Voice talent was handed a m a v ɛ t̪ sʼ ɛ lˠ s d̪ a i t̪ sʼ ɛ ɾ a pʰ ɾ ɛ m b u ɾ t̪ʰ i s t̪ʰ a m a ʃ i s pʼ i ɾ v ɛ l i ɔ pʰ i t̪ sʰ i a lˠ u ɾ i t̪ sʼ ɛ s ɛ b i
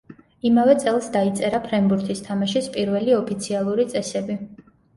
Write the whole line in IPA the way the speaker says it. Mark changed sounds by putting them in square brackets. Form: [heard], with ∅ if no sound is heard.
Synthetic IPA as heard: [i] m a v ɛ t̪ sʼ ɛ lˠ s d̪ a i t̪ sʼ ɛ ɾ a pʰ ɾ ɛ m b u ɾ t̪ʰ i s t̪ʰ a m a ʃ i s pʼ i ɾ v ɛ l i ɔ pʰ i t̪ sʰ i a lˠ u ɾ i t̪ sʼ ɛ s ɛ b i